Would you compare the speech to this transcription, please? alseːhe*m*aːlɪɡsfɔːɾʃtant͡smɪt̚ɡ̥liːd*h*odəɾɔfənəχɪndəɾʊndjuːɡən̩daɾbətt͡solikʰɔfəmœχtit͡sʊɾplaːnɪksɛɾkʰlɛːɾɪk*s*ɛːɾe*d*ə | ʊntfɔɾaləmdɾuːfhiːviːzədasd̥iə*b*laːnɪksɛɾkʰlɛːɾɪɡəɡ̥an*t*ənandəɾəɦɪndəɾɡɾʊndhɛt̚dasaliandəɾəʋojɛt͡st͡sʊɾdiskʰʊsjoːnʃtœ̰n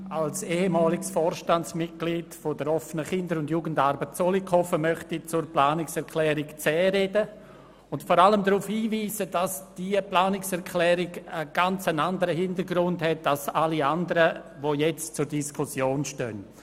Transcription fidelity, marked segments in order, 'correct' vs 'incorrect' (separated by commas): correct, incorrect, incorrect, correct, incorrect, incorrect